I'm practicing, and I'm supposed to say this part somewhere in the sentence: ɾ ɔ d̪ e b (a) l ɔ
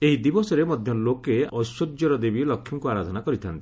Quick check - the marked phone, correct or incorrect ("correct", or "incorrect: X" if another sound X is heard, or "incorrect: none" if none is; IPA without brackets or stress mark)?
incorrect: i